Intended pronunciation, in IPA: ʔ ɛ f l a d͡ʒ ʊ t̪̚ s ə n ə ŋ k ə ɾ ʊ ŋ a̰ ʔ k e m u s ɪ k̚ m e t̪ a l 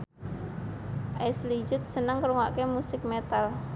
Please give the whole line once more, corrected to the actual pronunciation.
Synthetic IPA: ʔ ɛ s l i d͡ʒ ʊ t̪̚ s ə n ə ŋ k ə ɾ u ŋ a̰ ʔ k e m u s ɪ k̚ m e t̪ a l

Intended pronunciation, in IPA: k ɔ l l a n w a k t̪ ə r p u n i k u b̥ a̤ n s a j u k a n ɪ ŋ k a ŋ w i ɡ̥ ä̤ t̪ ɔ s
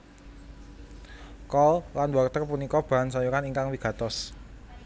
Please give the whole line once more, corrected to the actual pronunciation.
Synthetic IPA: k ɔ l l a n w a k t̪ ə r p u n i k ɔ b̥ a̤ n s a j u k a n i ŋ k a ŋ w i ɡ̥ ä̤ t̪ ɔ s

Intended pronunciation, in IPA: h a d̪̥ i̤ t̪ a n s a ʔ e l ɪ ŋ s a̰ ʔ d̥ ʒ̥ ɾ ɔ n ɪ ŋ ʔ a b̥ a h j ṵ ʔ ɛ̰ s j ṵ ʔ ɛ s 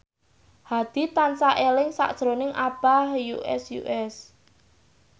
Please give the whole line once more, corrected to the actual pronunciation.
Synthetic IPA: h a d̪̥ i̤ t̪ a n s a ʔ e l ɪ ŋ s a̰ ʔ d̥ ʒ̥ ɾ o n ɪ ŋ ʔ a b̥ a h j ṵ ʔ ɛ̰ s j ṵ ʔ ɛ s

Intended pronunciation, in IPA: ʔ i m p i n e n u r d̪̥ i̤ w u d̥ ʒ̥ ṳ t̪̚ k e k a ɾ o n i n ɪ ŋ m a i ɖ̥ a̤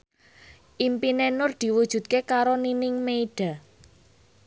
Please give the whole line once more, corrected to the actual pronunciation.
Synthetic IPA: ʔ i m p i n e n ʊ r d̪̥ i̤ w u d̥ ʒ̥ ṳ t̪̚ k e k a ɾ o n i n ɪ ŋ m e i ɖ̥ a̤

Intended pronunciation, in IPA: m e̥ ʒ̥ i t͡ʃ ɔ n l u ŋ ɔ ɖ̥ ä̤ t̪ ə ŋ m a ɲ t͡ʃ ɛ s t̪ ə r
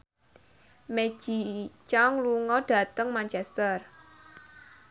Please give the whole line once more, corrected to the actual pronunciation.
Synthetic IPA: m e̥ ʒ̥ i t͡ʃ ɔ ŋ l u ŋ ɔ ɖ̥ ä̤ t̪ ə ŋ m a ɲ t͡ʃ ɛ s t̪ ə r

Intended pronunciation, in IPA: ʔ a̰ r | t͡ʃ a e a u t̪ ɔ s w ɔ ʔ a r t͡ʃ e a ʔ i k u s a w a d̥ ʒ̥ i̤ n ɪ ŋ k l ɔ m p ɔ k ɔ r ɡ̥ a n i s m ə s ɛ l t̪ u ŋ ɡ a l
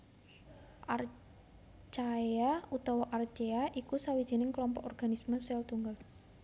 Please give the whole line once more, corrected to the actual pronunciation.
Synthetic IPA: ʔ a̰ r | t͡ʃ a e a u t̪ ɔ w ɔ ʔ a r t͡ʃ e a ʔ i k u s a w i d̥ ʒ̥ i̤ n ɪ ŋ k l ɔ m p ɔ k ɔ r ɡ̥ a n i s m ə s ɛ l t̪ u ŋ ɡ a l

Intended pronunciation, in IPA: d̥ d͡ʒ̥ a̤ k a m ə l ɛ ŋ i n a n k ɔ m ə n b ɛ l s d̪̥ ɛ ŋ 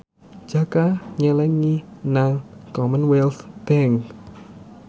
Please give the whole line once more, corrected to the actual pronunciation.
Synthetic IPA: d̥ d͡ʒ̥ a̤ k a ɲ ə l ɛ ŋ i n a ŋ k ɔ m ə n w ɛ l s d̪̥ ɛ ŋ

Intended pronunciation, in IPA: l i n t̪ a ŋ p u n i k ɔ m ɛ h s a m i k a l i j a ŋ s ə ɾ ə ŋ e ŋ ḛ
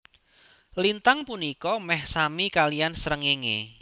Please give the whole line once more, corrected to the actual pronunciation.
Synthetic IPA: l i n t̪ a ŋ p u n i k ɔ m ɛ h s a m i k a l i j a n s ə ɾ ə ŋ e ŋ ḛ

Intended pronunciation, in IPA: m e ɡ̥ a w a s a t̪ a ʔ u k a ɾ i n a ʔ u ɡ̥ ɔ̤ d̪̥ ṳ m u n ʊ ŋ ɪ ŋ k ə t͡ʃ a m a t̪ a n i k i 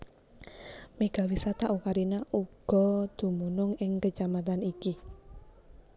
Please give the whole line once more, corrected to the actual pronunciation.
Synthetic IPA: m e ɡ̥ a w i s a t̪ a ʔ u k a ɾ i n a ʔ u ɡ̥ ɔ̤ d̪̥ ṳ m u n ʊ ŋ ɪ ŋ k ə t͡ʃ a m a t̪ a n i k i

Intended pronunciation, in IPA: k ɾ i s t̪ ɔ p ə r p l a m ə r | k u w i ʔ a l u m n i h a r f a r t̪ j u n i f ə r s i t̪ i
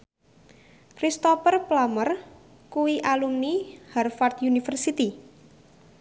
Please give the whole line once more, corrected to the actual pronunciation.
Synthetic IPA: k ɾ i s t̪ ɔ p ə r p l a m ə r | k u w i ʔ a l u m n i h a r f a r t̪ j u n i f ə r s i t̪ i

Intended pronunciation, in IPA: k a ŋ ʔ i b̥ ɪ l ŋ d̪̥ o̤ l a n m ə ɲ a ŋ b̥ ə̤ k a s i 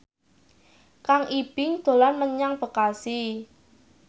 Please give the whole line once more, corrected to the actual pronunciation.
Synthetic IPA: k a ŋ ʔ i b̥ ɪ ŋ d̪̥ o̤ l a n m ə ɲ a ŋ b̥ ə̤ k a s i

